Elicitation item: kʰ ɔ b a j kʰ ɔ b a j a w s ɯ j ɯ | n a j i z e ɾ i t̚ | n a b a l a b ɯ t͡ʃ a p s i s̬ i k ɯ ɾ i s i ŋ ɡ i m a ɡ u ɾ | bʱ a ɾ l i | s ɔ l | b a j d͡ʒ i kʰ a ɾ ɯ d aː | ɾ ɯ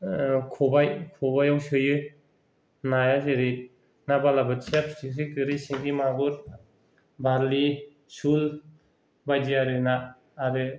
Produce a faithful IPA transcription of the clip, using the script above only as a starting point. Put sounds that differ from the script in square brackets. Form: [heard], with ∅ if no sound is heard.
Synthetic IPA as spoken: kʰ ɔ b a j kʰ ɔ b a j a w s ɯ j ɯ | n a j [a] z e ɾ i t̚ | n a b a l a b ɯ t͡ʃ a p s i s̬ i k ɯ ɾ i s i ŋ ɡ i m a ɡ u ɾ | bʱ a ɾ l i | s [u] l | b a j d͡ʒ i [∅] a ɾ ɯ [n] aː | ɾ ɯ